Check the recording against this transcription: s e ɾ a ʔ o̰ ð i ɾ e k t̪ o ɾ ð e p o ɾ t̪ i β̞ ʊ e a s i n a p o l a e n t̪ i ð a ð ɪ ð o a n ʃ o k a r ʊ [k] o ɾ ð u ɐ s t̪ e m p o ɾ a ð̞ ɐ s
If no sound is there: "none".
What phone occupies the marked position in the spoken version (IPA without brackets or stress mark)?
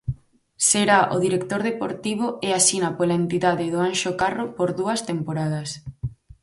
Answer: p